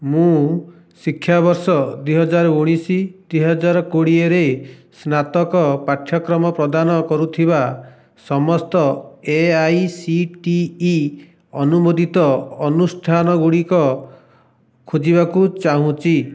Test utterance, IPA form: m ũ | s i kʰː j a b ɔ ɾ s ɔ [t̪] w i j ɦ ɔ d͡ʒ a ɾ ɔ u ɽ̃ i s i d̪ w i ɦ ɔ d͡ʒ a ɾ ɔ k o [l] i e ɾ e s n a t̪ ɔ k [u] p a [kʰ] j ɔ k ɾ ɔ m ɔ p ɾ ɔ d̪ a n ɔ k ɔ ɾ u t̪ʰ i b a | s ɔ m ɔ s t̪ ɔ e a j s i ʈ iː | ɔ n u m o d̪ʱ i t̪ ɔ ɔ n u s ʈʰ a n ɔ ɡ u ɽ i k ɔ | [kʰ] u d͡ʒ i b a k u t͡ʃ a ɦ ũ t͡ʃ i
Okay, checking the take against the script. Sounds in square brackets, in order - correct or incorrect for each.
incorrect: d̪, incorrect: ɽ, incorrect: ɔ, incorrect: ʈʰ, correct

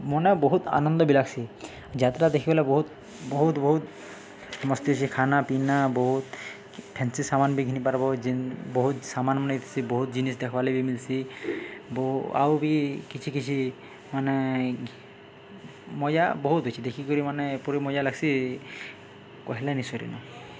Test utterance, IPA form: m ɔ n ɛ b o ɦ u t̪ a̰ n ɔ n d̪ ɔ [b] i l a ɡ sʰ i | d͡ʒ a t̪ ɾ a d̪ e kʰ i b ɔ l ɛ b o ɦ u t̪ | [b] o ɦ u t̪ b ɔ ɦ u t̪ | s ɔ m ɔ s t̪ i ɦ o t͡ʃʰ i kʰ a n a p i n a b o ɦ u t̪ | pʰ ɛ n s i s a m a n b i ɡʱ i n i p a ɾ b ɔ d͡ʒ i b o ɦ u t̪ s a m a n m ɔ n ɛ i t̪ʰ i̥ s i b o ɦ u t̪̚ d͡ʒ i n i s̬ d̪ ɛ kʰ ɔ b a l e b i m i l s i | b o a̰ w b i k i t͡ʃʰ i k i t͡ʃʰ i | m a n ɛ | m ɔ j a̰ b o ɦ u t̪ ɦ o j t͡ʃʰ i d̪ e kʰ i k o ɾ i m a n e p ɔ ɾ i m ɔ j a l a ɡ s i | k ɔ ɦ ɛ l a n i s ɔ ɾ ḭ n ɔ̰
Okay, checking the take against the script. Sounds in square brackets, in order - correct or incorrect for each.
correct, correct

